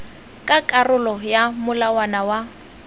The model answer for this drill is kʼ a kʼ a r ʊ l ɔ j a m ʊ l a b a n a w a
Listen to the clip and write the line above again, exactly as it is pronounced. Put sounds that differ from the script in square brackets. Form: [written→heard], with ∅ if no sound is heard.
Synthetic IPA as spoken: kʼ a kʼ a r ʊ l ɔ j a m ʊ l a [b→w] a n a w a